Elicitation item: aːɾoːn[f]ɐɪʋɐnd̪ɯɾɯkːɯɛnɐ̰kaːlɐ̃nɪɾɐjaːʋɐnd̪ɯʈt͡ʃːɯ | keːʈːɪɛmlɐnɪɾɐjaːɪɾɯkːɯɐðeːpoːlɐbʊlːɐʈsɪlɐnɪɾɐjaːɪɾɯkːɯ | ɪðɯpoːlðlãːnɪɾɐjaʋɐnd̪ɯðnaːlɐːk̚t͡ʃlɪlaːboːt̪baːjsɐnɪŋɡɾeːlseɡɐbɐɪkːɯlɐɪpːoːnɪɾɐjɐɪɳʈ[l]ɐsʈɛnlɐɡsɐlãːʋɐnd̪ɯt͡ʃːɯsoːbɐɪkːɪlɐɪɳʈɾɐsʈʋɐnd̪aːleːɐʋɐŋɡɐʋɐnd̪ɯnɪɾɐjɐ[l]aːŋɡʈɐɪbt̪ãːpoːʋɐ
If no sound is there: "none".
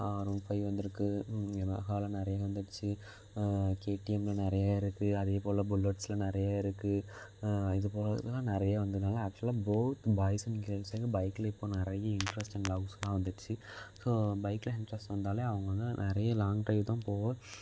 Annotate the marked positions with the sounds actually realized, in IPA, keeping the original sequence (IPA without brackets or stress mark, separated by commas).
f, ɾ, l